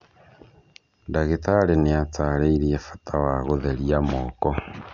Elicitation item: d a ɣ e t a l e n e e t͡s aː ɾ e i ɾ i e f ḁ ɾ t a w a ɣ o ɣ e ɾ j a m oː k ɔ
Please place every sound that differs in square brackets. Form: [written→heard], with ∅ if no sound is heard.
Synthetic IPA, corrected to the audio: d a ɣ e t a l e n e [e→a] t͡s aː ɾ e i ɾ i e f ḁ [ɾ→∅] t a w a ɣ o [ɣ→ð] e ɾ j a m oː k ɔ